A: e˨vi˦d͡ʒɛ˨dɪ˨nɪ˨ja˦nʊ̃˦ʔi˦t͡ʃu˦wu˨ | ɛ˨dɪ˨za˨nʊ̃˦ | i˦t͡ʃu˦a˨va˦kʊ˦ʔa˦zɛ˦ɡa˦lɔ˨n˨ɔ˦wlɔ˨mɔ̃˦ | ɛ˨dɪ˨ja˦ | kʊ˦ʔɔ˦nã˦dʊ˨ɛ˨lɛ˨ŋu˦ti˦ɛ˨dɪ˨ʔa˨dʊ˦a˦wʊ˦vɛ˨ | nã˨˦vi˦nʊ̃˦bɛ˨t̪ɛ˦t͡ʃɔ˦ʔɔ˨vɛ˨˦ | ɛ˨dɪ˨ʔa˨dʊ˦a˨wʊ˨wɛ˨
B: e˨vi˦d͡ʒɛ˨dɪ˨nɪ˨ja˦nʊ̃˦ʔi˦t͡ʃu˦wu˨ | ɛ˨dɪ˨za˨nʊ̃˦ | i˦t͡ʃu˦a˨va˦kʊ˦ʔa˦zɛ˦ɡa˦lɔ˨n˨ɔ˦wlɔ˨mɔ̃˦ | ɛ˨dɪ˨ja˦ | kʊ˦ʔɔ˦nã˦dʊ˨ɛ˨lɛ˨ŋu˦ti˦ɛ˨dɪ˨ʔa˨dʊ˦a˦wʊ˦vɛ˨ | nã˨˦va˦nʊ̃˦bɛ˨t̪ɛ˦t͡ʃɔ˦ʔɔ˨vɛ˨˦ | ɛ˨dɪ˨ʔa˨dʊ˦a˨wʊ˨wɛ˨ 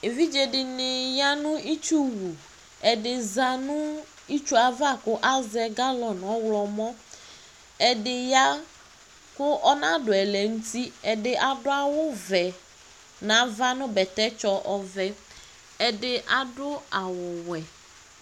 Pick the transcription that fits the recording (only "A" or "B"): B